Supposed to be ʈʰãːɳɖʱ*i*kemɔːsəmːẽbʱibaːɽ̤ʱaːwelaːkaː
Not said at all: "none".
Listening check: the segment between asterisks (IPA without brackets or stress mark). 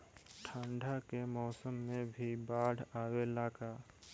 a